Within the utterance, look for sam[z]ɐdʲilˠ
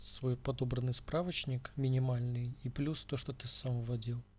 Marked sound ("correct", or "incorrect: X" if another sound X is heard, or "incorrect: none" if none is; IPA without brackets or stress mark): incorrect: v